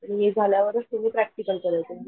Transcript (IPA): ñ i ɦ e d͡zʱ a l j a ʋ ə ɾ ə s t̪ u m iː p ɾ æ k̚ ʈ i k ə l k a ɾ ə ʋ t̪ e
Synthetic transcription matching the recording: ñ i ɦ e d͡zʱ a l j a ʋ ə ɾ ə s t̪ u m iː p ɾ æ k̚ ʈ i k ə l k ə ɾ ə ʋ t̪ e

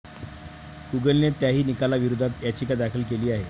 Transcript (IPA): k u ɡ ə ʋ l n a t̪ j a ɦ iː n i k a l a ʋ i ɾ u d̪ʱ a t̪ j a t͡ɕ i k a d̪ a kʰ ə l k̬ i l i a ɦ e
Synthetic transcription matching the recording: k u ɡ ə l n e t̪ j a ɦ iː n i k a l a ʋ i ɾ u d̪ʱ a t̪ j a t͡ɕ i k a d̪ a kʰ ə l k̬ e l iː a ɦ e

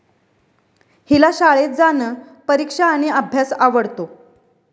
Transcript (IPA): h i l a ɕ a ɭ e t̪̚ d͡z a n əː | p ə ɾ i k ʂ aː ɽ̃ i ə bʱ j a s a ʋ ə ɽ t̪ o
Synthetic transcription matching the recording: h i l a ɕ a ɭ e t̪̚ d͡z a n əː | p ə ɾ i k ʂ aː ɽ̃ i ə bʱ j a s a ʋ ə ɽ t̪ o

